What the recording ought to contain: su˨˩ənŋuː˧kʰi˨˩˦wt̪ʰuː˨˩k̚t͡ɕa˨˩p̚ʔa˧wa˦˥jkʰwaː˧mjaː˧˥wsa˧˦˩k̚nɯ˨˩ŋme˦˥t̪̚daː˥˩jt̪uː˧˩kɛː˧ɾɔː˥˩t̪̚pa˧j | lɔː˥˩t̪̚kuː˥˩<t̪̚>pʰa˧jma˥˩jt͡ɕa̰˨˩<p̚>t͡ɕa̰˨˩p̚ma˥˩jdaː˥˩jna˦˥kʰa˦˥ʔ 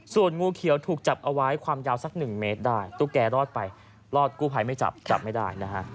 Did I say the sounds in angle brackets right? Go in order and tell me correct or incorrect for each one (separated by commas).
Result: incorrect, correct